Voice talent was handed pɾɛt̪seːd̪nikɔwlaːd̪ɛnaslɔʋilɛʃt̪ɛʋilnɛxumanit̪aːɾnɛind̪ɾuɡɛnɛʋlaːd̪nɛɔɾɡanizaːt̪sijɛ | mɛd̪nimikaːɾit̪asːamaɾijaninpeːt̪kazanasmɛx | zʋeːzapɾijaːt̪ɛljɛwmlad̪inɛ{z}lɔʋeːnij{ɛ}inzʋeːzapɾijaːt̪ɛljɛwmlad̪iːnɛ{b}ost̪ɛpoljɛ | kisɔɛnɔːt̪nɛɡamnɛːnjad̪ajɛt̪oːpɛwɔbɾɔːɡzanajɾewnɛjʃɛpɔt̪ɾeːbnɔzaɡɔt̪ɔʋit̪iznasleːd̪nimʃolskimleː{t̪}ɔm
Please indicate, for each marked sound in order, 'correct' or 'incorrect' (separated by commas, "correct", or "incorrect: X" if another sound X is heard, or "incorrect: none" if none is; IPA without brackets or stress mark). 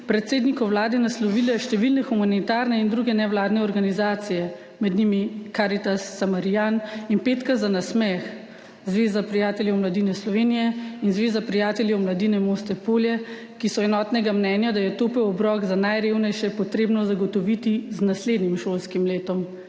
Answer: incorrect: s, correct, incorrect: m, correct